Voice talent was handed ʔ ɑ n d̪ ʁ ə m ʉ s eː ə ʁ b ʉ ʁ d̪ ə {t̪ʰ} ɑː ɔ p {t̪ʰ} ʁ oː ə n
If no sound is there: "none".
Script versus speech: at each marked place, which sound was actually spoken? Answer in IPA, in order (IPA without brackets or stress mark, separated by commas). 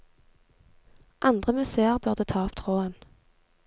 t̪ʰ, t̪ʰ